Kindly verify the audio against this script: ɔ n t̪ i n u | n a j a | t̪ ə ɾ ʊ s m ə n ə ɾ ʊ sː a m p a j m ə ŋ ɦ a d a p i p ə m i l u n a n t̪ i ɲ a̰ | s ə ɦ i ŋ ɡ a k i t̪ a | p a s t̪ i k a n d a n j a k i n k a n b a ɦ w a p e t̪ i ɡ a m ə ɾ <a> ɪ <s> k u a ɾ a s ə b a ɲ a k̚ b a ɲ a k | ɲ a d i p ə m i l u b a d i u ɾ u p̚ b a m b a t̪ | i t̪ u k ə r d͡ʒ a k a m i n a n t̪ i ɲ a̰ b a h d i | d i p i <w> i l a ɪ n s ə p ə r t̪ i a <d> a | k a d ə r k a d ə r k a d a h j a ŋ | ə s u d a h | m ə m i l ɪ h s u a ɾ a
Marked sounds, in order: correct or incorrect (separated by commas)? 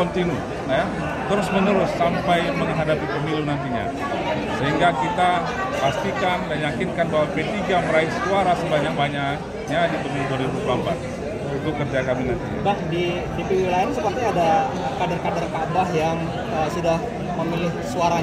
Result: correct, correct, correct, correct